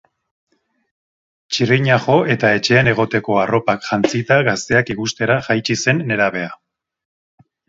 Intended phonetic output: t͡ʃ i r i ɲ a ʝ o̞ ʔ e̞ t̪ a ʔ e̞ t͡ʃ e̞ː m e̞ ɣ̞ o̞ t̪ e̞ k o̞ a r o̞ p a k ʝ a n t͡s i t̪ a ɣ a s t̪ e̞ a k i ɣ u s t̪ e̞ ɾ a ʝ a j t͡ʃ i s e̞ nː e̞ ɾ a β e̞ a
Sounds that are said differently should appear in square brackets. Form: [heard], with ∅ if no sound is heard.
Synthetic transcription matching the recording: t͡ʃ i r i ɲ a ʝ o̞ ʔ e̞ t̪ a [∅] e̞ t͡ʃ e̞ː [n] e̞ ɣ̞ o̞ t̪ e̞ k o̞ a r o̞ p a k ʝ a n t͡s i t̪ a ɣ a s t̪ e̞ a k i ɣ u s t̪ e̞ ɾ a ʝ a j t͡ʃ i s e̞ nː e̞ ɾ a β e̞ a